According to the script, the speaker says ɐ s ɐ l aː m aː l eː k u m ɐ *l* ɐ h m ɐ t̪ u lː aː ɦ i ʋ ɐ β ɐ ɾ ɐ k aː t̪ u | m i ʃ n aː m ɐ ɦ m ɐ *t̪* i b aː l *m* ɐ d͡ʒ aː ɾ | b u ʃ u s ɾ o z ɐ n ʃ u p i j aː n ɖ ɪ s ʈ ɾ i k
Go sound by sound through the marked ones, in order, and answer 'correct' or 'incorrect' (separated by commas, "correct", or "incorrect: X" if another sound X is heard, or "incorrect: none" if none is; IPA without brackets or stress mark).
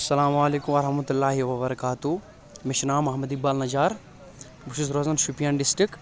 incorrect: ɾ, incorrect: d̪, incorrect: n